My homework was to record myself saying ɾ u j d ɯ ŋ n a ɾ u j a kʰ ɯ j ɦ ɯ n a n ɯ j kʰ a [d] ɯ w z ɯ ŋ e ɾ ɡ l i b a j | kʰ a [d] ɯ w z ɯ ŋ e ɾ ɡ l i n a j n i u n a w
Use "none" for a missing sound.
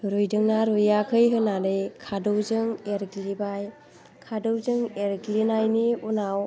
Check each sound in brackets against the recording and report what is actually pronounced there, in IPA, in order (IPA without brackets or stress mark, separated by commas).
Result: d, d